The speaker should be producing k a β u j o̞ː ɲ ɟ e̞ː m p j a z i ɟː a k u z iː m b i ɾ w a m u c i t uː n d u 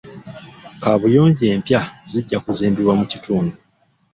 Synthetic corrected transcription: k a β u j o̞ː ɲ ɟ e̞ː m p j a z i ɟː a k u z iː m b i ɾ w a m u c i t uː n d u